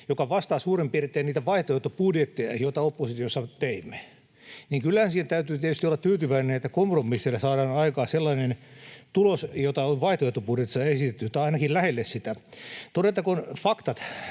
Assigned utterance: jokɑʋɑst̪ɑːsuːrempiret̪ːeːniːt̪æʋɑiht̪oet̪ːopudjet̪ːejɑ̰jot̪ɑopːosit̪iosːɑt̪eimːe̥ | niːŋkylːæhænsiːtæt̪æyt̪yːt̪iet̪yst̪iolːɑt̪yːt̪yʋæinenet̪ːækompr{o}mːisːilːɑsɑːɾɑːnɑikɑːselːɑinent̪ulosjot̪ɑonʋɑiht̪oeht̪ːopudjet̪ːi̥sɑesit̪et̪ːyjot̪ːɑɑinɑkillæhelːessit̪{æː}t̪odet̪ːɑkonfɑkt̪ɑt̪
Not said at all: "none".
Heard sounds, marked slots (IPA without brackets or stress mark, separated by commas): o, æ